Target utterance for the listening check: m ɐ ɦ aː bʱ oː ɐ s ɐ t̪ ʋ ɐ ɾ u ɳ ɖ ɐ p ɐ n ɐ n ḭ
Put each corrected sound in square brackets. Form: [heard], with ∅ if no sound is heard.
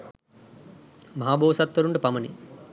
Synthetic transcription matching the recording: m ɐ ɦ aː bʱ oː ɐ s ɐ t̪ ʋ ɐ ɾ u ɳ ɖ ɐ p ɐ [m] ɐ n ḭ